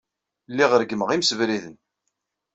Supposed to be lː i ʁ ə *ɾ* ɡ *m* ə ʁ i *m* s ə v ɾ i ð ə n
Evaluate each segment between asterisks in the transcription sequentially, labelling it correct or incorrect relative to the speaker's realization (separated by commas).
correct, correct, correct